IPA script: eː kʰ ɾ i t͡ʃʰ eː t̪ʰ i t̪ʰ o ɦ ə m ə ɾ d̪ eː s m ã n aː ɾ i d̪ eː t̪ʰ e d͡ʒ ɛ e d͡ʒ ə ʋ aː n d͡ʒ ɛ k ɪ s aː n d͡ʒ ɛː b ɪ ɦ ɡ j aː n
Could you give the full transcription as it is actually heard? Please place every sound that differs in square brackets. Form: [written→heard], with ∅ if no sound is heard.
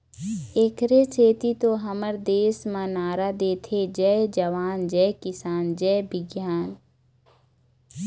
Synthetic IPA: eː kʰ ɾ [i→e] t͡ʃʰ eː [t̪ʰ→t̪] i [t̪ʰ→t̪] o ɦ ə m ə ɾ d̪ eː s m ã n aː ɾ [i→a] d̪ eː t̪ʰ e d͡ʒ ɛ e d͡ʒ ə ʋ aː n d͡ʒ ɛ k ɪ s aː n d͡ʒ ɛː b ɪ [ɦ→∅] ɡ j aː n